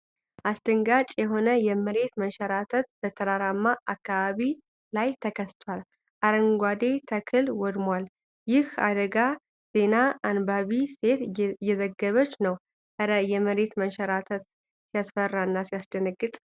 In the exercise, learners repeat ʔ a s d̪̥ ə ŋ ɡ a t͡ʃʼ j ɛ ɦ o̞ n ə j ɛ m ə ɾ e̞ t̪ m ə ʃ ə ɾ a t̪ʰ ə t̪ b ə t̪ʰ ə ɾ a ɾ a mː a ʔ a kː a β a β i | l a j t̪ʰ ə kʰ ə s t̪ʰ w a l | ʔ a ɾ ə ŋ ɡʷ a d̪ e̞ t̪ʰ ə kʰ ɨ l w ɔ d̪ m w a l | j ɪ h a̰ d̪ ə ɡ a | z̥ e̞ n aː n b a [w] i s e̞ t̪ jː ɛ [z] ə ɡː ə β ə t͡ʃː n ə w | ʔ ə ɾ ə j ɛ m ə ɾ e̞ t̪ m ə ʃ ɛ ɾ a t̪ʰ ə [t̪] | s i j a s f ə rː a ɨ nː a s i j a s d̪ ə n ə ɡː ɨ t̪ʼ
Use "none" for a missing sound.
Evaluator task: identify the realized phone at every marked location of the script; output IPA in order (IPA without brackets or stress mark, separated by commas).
β, z, t̪